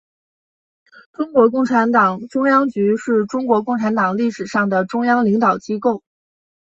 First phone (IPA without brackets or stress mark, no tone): ʈ͡ʂ